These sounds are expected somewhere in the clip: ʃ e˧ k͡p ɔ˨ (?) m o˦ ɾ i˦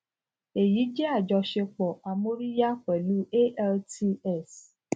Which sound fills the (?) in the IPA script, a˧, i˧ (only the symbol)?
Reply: a˧